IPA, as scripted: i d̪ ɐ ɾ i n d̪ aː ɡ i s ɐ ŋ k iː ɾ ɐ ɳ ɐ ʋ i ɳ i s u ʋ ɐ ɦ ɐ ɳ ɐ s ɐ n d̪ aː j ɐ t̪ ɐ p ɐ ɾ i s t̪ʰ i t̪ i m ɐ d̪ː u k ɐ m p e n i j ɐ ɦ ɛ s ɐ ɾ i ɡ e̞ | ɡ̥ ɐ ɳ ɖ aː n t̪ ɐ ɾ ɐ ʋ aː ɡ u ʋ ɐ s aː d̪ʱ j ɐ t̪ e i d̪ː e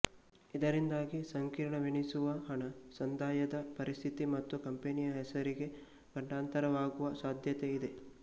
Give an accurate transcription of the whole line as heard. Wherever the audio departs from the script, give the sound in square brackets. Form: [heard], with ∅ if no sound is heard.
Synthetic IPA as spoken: i d̪ ɐ ɾ i n d̪ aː ɡ i s ɐ ŋ k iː ɾ ɐ ɳ ɐ ʋ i ɳ i s u ʋ ɐ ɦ ɐ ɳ ɐ s ɐ n d̪ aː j ɐ [d̪] ɐ p ɐ ɾ i s t̪ʰ i t̪ i m ɐ [t̪ː] u k ɐ m p e n i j ɐ ɦ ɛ s ɐ ɾ i ɡ e̞ | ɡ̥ ɐ ɳ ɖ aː n t̪ ɐ ɾ ɐ ʋ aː ɡ u ʋ ɐ s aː d̪ʱ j ɐ t̪ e i [d̪] e